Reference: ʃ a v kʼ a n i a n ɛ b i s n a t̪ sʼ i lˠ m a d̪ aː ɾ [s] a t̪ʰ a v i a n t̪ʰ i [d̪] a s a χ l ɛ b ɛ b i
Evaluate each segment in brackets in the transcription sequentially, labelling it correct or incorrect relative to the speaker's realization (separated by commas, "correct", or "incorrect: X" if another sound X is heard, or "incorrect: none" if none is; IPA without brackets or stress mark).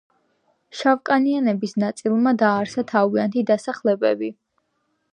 correct, correct